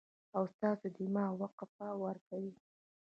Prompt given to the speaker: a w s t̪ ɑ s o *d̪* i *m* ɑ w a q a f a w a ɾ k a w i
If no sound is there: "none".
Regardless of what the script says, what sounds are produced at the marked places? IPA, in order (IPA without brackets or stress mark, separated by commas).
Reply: d̪, m